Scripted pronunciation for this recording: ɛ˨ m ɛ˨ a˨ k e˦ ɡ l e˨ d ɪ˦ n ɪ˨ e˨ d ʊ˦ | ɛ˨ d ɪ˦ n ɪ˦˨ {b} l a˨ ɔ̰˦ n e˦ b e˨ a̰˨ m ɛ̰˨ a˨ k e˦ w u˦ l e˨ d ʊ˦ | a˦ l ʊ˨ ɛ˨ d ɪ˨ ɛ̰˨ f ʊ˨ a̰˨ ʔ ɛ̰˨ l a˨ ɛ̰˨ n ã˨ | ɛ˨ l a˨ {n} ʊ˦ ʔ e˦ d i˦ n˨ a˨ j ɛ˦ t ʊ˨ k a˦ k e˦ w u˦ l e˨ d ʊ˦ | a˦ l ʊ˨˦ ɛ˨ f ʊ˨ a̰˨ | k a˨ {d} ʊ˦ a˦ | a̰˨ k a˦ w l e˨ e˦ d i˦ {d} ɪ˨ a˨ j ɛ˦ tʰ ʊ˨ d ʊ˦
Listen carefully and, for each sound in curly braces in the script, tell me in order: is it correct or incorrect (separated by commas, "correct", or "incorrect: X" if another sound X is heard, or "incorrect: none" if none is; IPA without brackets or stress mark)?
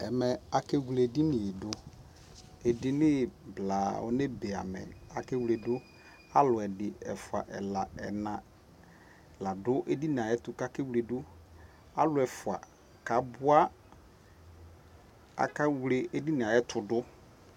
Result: correct, incorrect: d, incorrect: b, incorrect: n